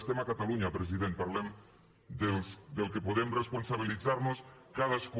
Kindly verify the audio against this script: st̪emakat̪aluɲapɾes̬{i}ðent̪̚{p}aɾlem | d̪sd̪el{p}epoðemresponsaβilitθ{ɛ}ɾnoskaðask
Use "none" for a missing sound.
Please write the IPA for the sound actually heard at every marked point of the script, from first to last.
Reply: i, p, k, a

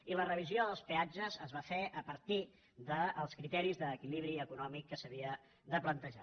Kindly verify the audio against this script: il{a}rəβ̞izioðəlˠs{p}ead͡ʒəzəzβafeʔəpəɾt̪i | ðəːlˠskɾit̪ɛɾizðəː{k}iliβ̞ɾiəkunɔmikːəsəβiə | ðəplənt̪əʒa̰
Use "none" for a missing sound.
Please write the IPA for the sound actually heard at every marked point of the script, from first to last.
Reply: ə, p, k

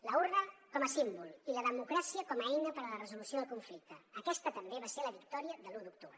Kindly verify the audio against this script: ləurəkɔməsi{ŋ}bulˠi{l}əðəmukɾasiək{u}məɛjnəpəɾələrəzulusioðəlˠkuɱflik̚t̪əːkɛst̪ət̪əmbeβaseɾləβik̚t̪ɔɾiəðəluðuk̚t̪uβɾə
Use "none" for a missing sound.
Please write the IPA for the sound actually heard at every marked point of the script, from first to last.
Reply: m, l, ɔ

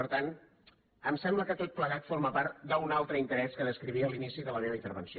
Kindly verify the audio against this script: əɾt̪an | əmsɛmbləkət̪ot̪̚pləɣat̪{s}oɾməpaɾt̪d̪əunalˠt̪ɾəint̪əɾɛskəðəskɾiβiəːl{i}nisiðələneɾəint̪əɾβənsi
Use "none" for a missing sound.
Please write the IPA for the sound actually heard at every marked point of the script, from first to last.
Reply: f, i

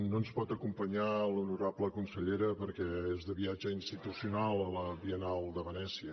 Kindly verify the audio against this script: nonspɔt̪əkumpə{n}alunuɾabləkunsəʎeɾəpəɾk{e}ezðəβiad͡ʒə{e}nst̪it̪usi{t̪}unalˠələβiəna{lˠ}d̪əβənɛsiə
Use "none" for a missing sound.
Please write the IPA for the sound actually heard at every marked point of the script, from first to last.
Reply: ɲ, ɛ, i, none, lˠ

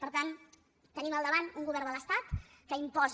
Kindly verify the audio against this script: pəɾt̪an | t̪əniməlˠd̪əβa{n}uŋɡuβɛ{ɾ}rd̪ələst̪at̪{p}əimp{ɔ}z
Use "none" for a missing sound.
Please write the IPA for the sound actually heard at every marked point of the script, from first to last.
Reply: n, none, k, ɔ

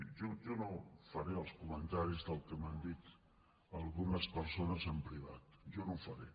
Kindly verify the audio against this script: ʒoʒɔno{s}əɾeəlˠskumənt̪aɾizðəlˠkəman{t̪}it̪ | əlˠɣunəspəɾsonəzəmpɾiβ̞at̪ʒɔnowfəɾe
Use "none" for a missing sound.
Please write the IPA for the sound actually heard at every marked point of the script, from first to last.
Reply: f, d̪

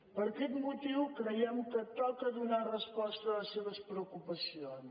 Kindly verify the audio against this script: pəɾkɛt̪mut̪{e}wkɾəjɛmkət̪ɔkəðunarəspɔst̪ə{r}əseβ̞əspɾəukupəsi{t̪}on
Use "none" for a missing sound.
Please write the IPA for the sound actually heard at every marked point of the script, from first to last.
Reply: i, l, none

